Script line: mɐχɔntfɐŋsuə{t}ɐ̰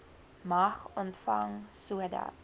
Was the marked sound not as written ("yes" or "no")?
yes